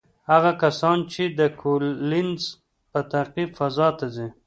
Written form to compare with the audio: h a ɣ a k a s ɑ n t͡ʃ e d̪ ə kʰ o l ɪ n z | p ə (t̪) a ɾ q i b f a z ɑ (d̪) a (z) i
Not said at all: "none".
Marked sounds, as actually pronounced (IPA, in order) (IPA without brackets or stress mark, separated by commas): t̪, t̪, z